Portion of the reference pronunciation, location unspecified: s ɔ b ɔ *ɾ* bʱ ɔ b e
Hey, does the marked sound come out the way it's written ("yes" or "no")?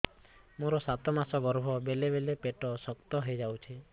yes